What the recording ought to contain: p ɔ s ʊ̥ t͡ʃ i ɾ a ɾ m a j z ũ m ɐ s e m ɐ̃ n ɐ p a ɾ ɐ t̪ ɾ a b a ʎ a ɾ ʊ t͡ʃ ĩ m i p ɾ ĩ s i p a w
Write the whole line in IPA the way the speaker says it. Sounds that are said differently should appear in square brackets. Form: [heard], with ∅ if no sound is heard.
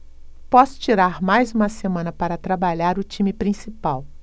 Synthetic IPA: p ɔ s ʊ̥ t͡ʃ i ɾ a ɾ m a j z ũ m ɐ s e m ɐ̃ n ɐ p a ɾ ɐ t̪ ɾ a b a ʎ a ɾ ʊ t͡ʃ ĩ m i p ɾ ĩ s i p a w

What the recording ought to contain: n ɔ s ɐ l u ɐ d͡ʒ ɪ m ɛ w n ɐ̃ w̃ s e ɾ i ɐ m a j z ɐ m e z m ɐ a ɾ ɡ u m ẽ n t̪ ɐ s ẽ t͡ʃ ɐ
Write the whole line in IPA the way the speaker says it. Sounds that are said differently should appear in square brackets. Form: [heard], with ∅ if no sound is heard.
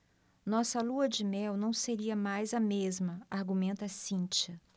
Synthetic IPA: n ɔ s ɐ l u ɐ d͡ʒ ɪ m ɛ w n ɐ̃ w̃ s e ɾ i ɐ m a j z ɐ m e z m ɐ a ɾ ɡ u m ẽ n t̪ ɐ s [ĩ] t͡ʃ ɐ

